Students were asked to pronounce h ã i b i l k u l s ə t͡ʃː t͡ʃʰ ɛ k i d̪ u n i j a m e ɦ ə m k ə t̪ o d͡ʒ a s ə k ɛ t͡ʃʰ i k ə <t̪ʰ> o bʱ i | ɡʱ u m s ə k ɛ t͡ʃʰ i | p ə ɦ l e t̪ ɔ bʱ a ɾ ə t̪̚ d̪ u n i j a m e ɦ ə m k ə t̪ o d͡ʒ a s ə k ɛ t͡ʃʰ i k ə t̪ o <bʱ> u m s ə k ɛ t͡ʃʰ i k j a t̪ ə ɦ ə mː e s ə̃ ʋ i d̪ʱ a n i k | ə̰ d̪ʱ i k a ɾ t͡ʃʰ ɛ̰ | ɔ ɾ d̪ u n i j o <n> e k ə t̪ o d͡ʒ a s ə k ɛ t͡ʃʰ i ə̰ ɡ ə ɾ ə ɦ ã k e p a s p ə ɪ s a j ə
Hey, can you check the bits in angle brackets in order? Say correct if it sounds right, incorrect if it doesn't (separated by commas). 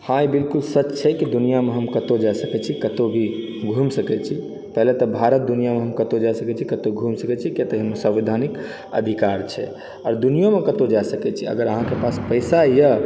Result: incorrect, incorrect, incorrect